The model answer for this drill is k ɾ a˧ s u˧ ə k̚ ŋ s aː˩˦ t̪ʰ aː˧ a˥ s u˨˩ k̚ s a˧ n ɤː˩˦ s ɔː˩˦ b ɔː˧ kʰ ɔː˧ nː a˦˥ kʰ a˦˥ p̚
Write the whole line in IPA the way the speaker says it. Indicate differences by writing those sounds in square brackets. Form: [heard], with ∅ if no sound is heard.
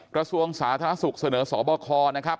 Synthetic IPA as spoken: k ɾ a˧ s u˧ ə [∅] ŋ s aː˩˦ t̪ʰ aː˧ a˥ s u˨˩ k̚ s a˧ n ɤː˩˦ s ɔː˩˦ b ɔː˧ kʰ ɔː˧ [n] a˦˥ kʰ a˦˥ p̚